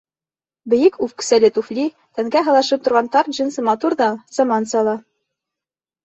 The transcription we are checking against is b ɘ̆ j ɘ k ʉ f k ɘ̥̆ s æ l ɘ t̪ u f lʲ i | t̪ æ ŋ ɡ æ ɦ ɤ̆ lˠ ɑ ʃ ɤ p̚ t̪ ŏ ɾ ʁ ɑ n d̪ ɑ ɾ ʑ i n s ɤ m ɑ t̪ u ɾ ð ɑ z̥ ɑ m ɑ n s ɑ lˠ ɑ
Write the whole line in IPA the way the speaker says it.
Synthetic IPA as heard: b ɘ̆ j ɘ k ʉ f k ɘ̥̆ s æ l ɘ t̪ u f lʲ i | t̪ æ ŋ ɡ æ ɦ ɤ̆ lˠ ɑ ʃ ɤ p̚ t̪ ŏ ɾ ʁ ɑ n t̪ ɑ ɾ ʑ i n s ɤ m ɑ t̪ u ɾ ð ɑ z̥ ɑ m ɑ n s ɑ lˠ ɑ